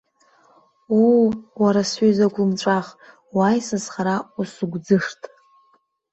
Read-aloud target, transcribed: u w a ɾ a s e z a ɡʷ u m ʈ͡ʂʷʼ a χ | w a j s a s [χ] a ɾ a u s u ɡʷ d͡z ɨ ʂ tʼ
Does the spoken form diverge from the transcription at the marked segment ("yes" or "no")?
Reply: no